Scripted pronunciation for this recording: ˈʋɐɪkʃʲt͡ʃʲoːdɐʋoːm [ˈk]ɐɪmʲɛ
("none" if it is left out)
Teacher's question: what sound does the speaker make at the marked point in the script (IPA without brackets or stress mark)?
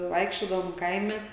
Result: k